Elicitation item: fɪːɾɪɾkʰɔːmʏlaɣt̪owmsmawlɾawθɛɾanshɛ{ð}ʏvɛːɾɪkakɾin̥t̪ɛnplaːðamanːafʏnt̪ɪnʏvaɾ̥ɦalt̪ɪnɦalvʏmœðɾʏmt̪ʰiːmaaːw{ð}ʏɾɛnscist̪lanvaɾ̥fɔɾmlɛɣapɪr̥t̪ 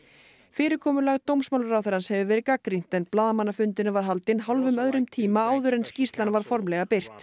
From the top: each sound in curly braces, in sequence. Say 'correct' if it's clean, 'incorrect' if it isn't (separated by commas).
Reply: incorrect, correct